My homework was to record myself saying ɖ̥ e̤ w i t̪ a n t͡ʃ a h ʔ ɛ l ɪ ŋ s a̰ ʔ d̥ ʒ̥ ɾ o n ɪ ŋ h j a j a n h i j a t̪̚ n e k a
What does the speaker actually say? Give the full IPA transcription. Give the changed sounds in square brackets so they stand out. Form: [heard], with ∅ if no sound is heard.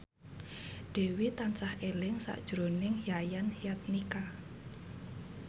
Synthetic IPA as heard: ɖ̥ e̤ w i t̪ a n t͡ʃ a h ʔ [e] l ɪ ŋ s a̰ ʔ d̥ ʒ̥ ɾ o n ɪ ŋ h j a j a n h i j a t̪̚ n [i] k a